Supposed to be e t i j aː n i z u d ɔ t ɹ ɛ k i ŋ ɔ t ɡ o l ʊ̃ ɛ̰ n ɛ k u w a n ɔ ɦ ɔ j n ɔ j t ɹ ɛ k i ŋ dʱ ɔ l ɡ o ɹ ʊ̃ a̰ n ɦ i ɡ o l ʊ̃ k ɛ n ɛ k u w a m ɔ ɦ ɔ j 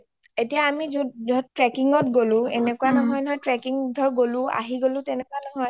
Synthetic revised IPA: e t i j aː m i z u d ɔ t ɹ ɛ k i ŋ ɔ t ɡ o l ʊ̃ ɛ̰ n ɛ k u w a n ɔ ɦ ɔ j n ɔ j t ɹ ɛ k i ŋ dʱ ɔ ɹ ɡ o l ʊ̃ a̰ ɦ i ɡ o l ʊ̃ t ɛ n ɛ k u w a n ɔ ɦ ɔ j